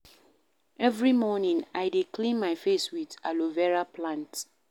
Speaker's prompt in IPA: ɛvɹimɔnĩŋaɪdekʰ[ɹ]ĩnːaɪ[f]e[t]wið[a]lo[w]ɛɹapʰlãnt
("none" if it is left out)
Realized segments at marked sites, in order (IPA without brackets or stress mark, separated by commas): l, f, s, a, v